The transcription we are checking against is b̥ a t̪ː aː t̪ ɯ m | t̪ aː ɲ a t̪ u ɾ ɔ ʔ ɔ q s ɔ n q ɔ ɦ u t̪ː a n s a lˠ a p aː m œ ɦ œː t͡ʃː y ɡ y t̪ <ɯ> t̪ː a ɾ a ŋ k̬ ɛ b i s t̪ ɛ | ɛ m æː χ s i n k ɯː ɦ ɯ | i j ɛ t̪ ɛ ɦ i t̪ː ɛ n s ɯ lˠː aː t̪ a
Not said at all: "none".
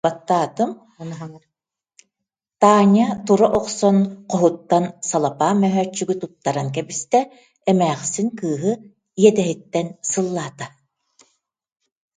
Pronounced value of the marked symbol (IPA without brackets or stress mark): u